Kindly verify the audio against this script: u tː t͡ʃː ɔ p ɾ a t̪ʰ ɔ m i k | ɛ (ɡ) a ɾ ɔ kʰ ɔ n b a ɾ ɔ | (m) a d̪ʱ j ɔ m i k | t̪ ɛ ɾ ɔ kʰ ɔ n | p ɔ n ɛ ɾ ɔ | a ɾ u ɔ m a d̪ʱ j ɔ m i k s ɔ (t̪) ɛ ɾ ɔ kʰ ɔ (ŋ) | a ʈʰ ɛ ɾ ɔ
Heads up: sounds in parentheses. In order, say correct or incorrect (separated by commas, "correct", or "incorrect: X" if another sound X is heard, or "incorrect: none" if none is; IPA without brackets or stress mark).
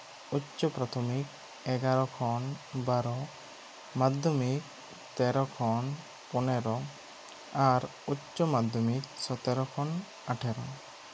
correct, correct, correct, incorrect: n